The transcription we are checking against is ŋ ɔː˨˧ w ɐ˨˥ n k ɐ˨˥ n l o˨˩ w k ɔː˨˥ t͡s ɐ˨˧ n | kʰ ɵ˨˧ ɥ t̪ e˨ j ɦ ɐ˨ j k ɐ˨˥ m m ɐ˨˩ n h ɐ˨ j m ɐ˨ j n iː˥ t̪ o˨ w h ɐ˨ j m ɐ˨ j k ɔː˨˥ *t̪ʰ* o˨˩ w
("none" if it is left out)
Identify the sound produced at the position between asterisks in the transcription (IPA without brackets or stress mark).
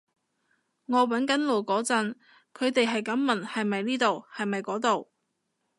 t̪